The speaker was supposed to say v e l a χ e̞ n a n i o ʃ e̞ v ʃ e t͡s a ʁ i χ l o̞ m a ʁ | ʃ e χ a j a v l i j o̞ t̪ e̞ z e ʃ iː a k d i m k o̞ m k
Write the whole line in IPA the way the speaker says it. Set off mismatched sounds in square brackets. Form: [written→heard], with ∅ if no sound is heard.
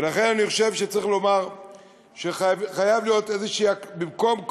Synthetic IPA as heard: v e l a χ e̞ n a n i o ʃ e̞ v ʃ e t͡s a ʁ i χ l o̞ m a ʁ | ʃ e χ a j a v l i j o̞ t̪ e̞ z e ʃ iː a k [d→b] i m k o̞ m k